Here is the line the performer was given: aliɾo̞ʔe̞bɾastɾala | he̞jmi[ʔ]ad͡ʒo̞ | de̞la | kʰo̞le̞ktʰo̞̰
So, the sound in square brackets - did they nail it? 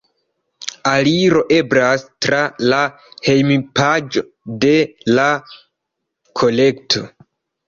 no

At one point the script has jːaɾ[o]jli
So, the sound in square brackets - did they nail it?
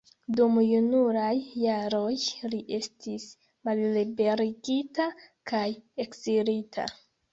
yes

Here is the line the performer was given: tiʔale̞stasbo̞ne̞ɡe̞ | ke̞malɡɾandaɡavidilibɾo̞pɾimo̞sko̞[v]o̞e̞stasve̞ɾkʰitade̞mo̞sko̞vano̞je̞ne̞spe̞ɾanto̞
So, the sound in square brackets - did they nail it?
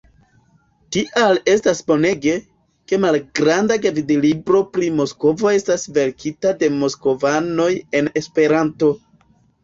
yes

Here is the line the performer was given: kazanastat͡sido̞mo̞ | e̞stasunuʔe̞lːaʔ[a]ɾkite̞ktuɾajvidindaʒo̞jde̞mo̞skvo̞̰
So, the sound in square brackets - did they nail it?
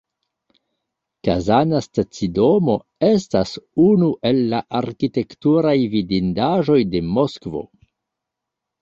yes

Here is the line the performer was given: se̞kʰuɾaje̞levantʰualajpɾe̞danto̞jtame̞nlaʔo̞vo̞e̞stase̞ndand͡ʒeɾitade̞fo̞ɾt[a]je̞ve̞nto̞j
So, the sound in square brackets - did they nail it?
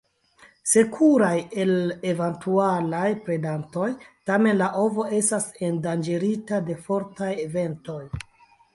yes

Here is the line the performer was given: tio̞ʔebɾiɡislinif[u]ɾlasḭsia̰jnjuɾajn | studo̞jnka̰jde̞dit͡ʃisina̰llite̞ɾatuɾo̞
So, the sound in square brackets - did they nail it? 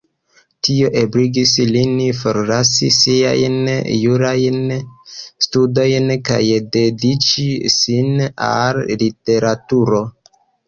no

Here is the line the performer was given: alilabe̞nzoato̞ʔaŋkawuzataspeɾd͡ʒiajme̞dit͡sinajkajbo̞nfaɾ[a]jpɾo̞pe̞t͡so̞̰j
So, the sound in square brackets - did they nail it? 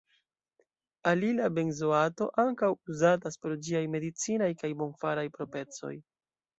yes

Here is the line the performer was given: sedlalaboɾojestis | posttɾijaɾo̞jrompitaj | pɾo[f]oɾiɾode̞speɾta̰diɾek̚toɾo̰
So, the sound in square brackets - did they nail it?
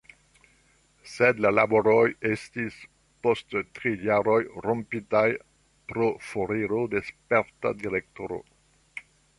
yes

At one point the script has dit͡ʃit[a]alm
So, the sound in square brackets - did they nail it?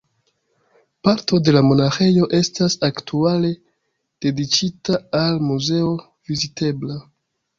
yes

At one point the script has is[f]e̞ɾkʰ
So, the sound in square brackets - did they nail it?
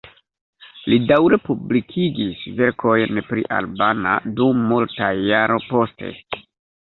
no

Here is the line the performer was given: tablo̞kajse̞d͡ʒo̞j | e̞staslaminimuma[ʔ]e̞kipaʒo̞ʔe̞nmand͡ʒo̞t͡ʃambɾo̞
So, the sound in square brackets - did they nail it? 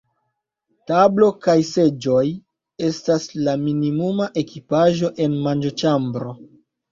yes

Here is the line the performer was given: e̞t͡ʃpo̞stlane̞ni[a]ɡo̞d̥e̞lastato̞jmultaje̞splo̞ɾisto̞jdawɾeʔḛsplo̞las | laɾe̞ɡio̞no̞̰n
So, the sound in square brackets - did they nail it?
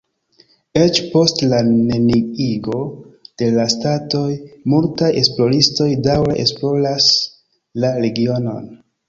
no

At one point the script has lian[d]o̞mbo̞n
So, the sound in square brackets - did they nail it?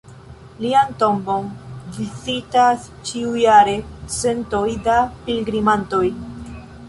no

